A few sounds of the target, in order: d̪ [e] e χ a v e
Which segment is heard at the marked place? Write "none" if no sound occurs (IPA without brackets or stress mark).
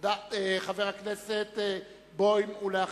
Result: a